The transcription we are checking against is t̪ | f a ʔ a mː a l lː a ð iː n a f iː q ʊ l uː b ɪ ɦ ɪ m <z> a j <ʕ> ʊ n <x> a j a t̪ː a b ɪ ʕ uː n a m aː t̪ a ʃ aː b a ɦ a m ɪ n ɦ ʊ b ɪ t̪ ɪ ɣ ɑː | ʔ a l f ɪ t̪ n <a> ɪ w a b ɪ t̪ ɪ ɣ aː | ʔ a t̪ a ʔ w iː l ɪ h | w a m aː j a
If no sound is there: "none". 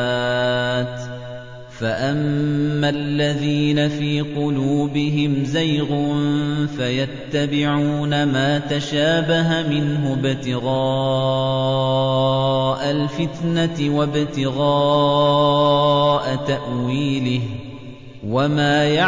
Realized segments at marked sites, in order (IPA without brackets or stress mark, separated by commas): z, ɣ, f, a